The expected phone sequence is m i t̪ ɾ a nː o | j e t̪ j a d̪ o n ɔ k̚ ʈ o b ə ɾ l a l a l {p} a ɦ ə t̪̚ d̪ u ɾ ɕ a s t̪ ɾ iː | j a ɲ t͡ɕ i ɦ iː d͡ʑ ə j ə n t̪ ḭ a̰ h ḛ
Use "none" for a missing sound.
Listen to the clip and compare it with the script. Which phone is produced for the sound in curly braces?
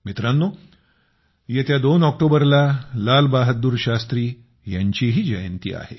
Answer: b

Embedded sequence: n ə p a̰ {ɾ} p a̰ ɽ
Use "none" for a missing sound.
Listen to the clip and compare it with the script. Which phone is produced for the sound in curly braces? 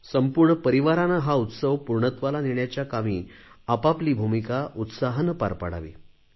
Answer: ɾ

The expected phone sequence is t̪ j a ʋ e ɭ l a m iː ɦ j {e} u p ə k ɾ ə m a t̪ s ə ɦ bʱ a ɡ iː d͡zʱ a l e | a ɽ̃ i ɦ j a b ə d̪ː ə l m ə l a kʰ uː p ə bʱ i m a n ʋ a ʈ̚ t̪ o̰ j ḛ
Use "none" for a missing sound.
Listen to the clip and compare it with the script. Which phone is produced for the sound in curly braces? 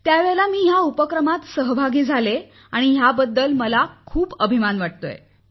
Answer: a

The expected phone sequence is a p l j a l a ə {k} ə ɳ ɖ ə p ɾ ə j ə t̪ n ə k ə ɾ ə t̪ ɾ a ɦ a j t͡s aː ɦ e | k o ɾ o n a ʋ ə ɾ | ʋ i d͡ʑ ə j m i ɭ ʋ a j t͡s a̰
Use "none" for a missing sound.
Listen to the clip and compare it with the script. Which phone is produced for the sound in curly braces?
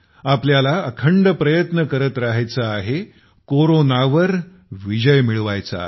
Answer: kʰ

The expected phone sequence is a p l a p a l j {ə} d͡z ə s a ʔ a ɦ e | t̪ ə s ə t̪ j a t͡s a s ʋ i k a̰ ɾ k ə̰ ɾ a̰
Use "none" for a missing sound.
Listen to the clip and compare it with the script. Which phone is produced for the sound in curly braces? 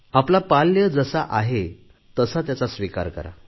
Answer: ə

